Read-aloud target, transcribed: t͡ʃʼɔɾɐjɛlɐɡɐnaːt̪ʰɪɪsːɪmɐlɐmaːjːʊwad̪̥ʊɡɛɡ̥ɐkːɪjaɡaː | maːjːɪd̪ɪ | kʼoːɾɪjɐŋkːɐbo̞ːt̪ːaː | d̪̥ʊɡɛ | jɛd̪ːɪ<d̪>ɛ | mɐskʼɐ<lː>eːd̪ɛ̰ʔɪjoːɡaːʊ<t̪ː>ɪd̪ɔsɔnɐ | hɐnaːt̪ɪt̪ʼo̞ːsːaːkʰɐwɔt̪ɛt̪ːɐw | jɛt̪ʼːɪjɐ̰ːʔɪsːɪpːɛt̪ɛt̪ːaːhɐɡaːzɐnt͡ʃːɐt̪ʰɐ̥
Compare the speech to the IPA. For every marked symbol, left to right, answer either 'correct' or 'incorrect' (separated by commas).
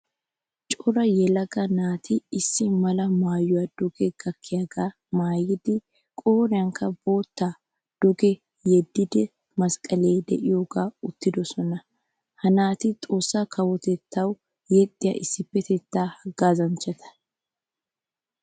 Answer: correct, incorrect, correct